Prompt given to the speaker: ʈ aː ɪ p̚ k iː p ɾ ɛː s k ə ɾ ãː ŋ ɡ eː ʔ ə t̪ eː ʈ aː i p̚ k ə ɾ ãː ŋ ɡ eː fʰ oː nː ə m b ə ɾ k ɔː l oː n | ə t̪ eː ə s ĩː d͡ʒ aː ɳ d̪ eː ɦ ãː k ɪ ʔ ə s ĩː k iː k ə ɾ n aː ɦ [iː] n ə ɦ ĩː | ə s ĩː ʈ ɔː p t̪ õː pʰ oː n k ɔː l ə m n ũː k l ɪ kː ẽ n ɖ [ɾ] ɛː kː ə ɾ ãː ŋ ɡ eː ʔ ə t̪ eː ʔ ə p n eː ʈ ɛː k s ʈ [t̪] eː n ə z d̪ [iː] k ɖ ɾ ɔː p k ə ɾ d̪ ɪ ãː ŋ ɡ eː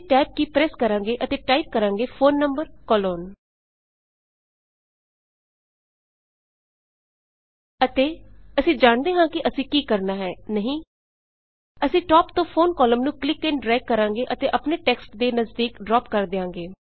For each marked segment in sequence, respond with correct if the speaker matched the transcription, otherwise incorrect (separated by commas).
incorrect, correct, incorrect, correct